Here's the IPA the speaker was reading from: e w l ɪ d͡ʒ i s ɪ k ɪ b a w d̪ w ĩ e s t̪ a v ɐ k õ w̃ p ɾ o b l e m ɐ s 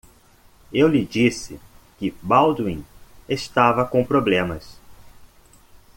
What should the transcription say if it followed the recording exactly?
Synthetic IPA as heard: e w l ɪ d͡ʒ i s ɪ k ɪ b a w d̪ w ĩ e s t̪ a v ɐ k õ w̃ p ɾ o b l ẽ m ɐ s